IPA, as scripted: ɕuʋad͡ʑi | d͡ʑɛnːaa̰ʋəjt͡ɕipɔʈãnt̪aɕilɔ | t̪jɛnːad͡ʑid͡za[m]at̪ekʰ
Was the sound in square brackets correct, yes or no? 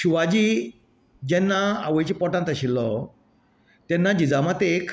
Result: yes